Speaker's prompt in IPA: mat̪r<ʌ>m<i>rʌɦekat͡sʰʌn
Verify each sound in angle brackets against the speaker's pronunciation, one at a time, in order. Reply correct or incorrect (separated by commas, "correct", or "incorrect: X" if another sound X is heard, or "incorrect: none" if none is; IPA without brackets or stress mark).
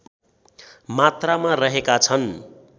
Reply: incorrect: a, incorrect: a